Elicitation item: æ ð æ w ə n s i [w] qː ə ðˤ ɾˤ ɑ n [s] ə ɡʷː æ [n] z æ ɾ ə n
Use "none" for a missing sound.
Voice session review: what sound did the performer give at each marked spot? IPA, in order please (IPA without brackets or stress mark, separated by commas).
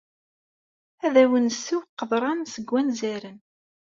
w, s, n